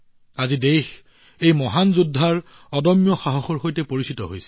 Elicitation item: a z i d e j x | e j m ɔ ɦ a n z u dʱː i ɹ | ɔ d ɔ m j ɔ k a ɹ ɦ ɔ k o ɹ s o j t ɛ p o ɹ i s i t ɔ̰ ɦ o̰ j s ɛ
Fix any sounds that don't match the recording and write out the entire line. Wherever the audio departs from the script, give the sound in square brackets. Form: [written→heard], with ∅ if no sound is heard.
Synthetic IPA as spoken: a z i d e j x | e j m ɔ ɦ a n z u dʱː [i→a] ɹ | ɔ d ɔ m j ɔ [k→x] a [ɹ→∅] ɦ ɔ [k→x] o ɹ [s→x] o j t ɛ p o ɹ i s i t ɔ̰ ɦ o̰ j s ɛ